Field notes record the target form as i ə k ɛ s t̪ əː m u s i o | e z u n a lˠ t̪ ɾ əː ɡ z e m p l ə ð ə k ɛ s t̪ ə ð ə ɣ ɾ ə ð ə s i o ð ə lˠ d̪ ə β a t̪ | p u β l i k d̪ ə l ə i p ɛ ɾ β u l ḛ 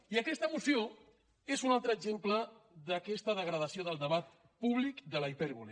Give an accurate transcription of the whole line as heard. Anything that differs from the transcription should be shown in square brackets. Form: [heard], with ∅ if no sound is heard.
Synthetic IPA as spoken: i ə k ɛ s t̪ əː m u s i o | e z u n a lˠ t̪ ɾ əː ɡ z e m p l ə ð ə k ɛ s t̪ ə ð ə ɣ ɾ ə ð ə s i o ð ə lˠ d̪ ə β a t̪ | p u β l i k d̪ ə l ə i p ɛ ɾ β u l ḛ